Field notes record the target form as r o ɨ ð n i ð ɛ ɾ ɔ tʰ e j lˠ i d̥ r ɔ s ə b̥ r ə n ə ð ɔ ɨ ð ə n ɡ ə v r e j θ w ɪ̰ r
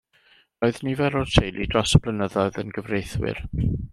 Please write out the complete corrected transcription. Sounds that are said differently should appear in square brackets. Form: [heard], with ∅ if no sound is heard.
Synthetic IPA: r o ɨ ð n i [v] ɛ ɾ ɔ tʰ e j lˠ i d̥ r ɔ s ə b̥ [l] ə n ə ð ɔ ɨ ð ə n ɡ ə v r e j θ w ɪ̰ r